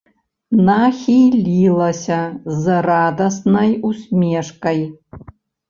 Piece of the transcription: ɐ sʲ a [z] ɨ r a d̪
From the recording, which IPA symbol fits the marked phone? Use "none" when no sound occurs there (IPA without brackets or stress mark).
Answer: z